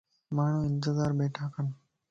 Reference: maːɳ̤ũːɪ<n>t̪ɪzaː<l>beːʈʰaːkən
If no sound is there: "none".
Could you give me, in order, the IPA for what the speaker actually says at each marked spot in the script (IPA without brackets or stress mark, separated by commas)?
n, ɾ